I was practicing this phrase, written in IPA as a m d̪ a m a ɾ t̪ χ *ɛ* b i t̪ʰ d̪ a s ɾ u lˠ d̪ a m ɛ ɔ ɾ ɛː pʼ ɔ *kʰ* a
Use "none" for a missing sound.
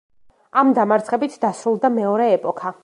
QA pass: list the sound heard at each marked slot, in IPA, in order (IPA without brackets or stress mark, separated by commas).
ɛ, kʰ